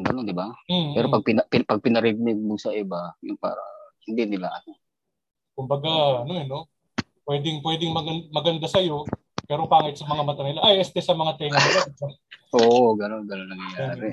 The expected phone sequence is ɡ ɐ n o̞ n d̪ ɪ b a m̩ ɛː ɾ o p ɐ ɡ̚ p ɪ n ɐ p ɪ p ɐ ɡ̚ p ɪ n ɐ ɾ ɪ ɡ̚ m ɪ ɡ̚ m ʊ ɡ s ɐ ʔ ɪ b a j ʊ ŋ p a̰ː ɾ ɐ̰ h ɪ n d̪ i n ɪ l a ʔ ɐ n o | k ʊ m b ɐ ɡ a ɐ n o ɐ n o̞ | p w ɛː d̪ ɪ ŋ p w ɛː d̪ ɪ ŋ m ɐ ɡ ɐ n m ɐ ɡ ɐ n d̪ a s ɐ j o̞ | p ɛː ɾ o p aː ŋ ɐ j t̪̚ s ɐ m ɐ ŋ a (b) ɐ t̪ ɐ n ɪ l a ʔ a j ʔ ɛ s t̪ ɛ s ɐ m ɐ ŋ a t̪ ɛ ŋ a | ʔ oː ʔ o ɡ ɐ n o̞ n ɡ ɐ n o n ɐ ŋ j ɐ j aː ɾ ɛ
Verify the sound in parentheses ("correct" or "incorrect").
incorrect